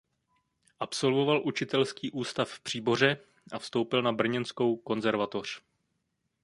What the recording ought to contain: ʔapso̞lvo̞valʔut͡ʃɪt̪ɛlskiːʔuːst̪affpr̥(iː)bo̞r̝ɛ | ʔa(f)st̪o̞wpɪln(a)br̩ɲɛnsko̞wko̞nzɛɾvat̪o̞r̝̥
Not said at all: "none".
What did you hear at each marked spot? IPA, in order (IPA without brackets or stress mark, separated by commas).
iː, f, a